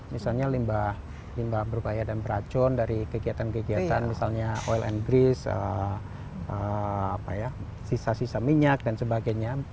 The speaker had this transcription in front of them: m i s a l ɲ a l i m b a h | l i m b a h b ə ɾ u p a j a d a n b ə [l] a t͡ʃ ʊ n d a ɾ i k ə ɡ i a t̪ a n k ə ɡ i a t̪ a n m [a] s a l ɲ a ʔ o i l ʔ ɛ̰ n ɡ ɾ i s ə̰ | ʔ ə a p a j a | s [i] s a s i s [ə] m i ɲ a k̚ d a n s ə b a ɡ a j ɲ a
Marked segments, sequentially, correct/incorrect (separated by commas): incorrect, incorrect, correct, incorrect